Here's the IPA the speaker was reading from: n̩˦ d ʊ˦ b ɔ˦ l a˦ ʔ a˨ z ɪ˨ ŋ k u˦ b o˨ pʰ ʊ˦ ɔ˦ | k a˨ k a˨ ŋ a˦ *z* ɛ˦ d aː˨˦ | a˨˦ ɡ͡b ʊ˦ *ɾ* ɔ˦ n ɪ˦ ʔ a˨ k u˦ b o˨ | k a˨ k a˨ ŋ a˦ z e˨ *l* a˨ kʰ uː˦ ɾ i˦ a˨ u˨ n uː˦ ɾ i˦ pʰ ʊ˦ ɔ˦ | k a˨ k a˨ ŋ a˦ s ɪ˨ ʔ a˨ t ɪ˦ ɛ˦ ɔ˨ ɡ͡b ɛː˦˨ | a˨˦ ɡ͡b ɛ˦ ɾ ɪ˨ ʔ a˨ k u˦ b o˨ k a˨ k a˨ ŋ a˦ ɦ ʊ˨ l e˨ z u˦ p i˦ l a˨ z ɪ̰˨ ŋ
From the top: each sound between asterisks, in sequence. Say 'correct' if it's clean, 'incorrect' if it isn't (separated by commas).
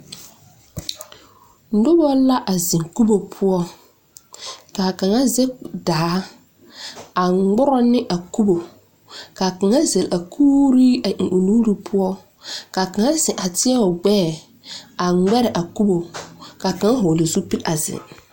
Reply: correct, correct, correct